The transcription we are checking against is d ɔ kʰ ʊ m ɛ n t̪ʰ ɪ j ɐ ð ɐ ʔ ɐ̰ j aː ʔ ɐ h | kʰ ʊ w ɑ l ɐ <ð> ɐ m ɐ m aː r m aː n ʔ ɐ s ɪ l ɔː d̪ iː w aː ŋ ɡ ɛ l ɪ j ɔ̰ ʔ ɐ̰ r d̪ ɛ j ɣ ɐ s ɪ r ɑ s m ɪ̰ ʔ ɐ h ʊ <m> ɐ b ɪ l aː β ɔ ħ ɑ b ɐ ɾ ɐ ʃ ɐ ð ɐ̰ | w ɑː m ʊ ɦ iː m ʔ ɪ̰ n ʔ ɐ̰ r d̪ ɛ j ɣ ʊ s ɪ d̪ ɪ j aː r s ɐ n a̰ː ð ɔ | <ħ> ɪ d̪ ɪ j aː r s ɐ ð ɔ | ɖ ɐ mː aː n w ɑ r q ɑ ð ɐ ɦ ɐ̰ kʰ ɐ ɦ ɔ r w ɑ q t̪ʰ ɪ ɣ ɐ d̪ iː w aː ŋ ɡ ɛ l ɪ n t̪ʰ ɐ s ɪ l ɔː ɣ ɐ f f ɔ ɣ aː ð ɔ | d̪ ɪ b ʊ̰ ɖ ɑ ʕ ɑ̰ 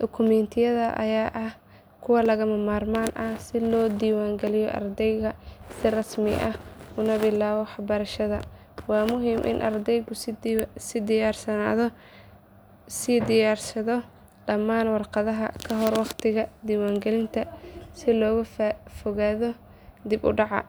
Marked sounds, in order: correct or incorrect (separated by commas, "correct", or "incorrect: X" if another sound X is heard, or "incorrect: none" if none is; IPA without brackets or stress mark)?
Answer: incorrect: ɣ, incorrect: n, incorrect: s